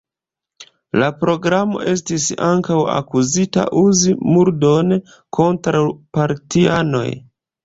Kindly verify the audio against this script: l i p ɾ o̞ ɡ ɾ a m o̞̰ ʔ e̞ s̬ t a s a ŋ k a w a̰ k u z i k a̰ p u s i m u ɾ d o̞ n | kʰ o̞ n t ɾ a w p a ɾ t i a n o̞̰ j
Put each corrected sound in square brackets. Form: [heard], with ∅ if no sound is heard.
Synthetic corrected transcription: l [a] p ɾ o̞ ɡ ɾ a m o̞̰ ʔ e̞ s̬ t [i] s a ŋ k a w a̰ k u z i [t] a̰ [ʔ] u [z] i m u ɾ d o̞ n | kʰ o̞ n t ɾ a w p a ɾ t i a n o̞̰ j